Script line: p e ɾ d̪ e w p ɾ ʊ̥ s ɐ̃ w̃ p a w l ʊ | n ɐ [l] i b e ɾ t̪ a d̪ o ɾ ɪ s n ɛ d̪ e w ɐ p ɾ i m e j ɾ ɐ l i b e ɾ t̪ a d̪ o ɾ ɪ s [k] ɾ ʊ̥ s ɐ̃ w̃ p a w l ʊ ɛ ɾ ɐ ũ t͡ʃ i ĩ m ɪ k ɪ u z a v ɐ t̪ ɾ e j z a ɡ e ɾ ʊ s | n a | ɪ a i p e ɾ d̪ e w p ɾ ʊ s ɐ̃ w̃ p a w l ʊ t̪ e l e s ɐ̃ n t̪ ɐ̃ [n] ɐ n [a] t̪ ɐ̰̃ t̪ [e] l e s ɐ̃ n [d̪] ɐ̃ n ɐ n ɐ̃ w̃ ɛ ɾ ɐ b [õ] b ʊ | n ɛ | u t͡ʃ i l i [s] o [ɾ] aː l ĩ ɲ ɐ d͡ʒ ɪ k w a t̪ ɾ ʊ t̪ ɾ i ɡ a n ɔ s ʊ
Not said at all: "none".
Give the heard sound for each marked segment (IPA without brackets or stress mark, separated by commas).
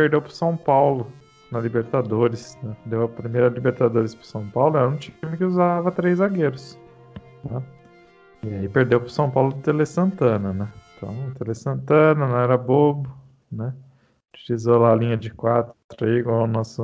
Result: l, p, n, ɛ, e, t̪, o, z, l